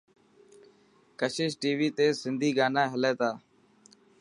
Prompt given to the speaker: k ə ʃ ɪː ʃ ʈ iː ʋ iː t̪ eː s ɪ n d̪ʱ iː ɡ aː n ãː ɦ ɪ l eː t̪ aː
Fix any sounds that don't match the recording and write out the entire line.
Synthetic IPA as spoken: k ə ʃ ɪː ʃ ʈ iː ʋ iː t̪ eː s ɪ n d̪ʱ iː ɡ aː n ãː ɦ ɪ l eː t̪ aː

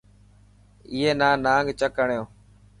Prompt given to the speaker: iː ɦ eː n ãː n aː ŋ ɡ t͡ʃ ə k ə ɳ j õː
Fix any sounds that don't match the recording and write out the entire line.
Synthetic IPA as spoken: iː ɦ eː n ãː n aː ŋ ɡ t͡ʃ ə k ə ɳ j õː

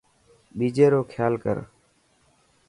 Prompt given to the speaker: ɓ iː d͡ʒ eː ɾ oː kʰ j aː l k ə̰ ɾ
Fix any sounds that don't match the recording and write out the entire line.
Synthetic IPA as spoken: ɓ iː d͡ʒ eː ɾ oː kʰ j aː l k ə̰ ɾ

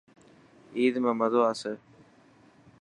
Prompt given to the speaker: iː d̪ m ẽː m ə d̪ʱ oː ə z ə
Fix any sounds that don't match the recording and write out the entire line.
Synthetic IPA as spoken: iː d̪ m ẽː m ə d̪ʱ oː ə s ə

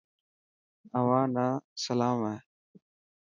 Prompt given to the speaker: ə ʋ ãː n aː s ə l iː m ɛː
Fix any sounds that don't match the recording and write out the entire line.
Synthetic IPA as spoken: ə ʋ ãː n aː s ə l aː m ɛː

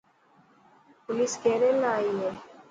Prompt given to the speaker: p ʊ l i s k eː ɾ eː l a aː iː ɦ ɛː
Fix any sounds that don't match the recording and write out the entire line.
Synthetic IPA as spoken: p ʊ l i s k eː ɾ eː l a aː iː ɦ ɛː

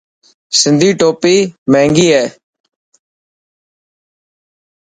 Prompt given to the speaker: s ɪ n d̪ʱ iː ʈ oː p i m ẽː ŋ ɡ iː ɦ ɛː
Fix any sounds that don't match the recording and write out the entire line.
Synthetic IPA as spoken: s ɪ n d̪ʱ iː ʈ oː p iː m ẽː ŋ ɡ iː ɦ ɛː

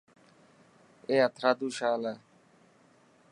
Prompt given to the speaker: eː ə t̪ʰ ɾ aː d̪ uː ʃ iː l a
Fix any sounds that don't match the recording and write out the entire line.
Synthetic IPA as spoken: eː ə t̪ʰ ɾ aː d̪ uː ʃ aː l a

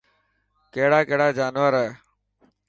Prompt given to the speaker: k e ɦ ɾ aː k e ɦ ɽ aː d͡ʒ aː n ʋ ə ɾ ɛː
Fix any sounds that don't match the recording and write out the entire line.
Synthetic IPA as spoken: k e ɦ ɽ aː k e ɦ ɽ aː d͡ʒ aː n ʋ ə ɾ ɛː

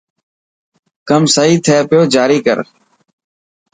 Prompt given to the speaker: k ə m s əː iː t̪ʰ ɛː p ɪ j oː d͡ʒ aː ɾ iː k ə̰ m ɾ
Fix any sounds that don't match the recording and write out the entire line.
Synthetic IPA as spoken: k ə m s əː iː t̪ʰ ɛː p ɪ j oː d͡ʒ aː ɾ iː k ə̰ ɾ

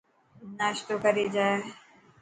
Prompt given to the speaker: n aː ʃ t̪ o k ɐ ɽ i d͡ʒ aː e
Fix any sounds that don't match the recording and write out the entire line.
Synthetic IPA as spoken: n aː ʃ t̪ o k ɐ ɾ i d͡ʒ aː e

